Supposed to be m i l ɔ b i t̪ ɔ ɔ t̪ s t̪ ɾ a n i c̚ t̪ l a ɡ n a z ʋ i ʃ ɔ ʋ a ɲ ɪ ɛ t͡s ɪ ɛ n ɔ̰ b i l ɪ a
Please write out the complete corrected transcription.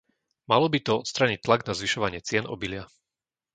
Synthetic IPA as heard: m a l ɔ b i t̪ ɔ ɔ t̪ s t̪ ɾ a ɲ i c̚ t̪ l a ɡ n a z ʋ i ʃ ɔ ʋ a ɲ ɪ ɛ t͡s ɪ ɛ n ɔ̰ b i l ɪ a